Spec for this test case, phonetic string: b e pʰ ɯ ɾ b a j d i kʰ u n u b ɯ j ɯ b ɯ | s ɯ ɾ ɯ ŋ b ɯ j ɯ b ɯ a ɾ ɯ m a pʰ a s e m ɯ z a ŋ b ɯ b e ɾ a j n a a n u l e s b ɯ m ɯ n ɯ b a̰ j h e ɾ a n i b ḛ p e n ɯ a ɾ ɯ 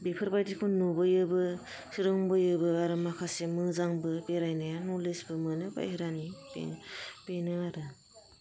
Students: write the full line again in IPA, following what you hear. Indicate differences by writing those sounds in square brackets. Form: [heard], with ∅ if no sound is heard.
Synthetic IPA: b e pʰ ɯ ɾ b a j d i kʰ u n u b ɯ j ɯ b ɯ | s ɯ ɾ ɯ ŋ b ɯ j ɯ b ɯ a ɾ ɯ m a [kʰ] a s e m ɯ z a ŋ b ɯ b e ɾ a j n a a n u l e s b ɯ m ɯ n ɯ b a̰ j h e ɾ a n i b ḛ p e n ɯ a ɾ ɯ